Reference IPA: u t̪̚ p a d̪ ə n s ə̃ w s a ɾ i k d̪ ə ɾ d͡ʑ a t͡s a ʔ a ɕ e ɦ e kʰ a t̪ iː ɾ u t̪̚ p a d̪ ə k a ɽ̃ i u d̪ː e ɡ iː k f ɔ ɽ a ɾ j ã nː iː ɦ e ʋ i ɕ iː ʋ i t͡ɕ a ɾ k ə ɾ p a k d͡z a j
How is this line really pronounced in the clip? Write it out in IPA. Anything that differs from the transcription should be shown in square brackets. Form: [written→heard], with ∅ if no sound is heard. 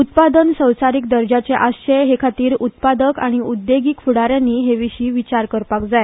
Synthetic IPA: u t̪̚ p a d̪ ə n s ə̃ w s a ɾ i k d̪ ə ɾ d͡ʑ a t͡s [a→e] ʔ a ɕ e ɦ e kʰ a t̪ iː ɾ u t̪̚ p a d̪ ə k a ɽ̃ i u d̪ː e ɡ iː k f [ɔ→u] ɽ a ɾ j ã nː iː ɦ e ʋ i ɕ iː ʋ i t͡ɕ a ɾ k ə ɾ p a k d͡z a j